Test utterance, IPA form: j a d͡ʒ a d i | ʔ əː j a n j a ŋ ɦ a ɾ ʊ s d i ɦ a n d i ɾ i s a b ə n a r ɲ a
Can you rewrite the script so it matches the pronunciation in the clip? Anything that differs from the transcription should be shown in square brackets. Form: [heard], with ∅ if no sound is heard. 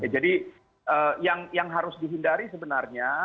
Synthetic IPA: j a d͡ʒ a d i | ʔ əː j a [ŋ] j a ŋ ɦ a ɾ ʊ s d i ɦ [i] n d [a] ɾ i s [ə] b ə n a r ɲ a